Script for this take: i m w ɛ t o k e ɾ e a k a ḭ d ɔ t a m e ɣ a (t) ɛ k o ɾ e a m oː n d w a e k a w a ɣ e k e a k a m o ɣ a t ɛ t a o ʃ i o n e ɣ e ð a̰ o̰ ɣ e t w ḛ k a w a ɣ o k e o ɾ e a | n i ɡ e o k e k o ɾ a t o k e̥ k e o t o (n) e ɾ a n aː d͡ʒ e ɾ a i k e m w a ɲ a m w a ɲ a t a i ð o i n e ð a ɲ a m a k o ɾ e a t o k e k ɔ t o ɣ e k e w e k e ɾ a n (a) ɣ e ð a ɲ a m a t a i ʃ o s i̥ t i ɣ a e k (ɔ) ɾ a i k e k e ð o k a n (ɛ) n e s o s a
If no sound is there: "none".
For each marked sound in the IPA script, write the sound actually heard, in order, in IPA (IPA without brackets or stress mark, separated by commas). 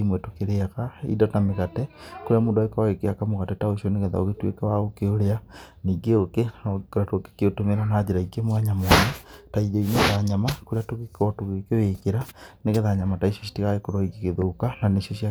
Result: t, m, e, o, a